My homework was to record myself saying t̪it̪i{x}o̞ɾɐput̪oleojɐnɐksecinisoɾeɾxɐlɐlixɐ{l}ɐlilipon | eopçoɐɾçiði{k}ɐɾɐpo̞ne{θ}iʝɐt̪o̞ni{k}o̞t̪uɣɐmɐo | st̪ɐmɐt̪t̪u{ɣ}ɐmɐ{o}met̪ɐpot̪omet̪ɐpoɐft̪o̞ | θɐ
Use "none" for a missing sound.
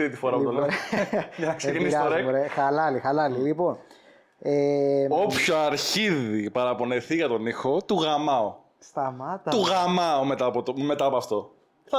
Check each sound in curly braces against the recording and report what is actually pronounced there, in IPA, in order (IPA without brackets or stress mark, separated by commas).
f, l, p, θ, x, ɣ, o